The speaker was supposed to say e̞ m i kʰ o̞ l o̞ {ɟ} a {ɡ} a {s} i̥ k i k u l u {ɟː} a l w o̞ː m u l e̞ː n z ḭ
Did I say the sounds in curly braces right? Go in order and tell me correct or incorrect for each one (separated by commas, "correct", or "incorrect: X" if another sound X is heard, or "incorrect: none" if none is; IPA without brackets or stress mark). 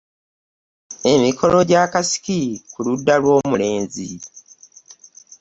correct, incorrect: k, correct, incorrect: dː